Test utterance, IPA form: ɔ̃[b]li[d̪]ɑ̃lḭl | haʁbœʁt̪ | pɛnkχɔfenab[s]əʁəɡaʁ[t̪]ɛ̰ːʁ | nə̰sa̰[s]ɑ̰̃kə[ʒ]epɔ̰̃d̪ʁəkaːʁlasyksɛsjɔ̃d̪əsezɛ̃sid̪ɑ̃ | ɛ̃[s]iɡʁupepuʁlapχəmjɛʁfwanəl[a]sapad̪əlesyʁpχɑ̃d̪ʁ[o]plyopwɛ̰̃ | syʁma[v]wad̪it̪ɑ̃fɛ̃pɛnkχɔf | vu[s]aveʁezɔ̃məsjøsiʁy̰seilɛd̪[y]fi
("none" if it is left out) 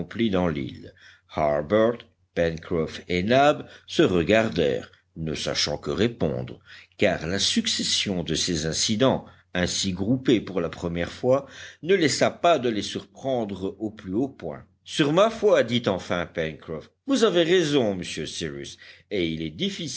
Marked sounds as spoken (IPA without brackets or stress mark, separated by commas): p, d̪, s, d̪, ʃ, ʁ, s, ɛ, o, f, z, i